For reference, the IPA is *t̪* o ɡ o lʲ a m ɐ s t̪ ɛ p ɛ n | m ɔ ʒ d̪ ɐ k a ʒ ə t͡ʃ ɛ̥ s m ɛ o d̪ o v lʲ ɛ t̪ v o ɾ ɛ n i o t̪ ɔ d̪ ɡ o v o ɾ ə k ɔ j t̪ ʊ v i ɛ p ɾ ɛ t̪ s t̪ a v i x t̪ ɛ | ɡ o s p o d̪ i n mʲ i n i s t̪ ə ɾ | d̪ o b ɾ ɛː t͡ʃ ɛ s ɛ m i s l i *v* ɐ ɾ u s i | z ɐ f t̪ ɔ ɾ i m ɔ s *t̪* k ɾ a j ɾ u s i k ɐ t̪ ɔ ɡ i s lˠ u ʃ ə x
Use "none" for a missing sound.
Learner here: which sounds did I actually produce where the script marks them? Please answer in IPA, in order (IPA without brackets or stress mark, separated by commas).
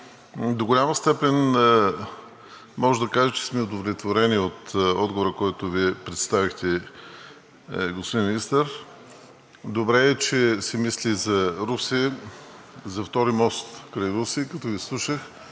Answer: d̪, z, t̪